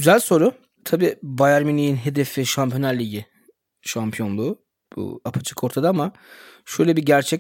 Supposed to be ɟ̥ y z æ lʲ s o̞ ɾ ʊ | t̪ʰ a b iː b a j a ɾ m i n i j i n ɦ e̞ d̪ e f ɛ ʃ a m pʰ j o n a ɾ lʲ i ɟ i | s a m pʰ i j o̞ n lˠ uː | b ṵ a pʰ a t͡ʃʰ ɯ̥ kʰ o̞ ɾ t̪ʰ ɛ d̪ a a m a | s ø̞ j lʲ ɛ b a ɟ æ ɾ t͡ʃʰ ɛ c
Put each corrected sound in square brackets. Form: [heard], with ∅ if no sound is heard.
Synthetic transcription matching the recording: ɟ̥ y z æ lʲ s o̞ ɾ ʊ | t̪ʰ a b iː b a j a ɾ m i n i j i n ɦ e̞ d̪ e f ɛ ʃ a m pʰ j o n a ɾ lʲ i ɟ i | [ʃ] a m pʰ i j o̞ n lˠ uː | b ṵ a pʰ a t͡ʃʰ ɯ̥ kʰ o̞ ɾ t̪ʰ [a] d̪ a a m a | [ʃ] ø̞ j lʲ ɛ b [i] ɟ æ ɾ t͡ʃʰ ɛ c